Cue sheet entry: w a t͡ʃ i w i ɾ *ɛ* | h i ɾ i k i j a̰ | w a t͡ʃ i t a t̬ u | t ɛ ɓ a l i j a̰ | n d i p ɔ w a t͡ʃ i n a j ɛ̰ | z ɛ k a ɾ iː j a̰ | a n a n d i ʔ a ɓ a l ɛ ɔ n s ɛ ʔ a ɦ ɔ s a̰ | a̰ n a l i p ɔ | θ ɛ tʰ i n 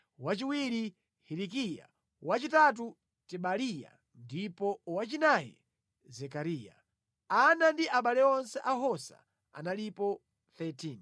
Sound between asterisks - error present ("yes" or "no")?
yes